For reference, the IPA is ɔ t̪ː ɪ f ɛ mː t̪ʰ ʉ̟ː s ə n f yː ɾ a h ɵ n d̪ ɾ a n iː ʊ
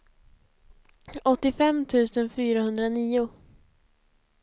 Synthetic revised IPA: ɔ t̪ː ɪ f ɛ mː t̪ʰ ʉ̟ː s ə n f yː ɾ a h ɵ n d̪ ɾ a n iː ʊ